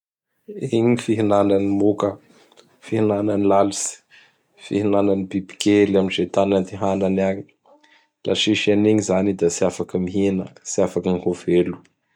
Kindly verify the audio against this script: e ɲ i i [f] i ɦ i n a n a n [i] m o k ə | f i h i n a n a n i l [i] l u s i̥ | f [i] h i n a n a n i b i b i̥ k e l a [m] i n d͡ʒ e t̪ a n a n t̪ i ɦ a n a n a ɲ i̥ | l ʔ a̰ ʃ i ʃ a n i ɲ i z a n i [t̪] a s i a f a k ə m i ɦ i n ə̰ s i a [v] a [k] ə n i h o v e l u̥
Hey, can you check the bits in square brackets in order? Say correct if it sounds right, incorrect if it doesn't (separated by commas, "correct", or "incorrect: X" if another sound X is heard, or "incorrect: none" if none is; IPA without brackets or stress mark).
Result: correct, correct, incorrect: a, correct, correct, incorrect: d̪, incorrect: f, correct